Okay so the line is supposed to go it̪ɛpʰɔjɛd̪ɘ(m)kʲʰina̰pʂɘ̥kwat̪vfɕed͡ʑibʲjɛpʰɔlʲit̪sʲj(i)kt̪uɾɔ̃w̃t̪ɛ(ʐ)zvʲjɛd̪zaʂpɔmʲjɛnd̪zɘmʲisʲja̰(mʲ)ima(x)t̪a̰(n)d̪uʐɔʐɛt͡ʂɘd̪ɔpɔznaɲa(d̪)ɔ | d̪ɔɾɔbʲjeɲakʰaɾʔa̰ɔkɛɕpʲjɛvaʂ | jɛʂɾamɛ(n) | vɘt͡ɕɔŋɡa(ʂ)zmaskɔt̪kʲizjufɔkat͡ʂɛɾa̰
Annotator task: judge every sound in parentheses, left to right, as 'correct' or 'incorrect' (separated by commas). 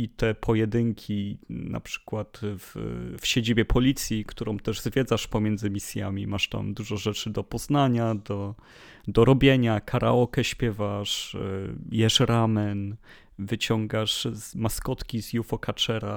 incorrect, correct, correct, correct, incorrect, incorrect, correct, correct, correct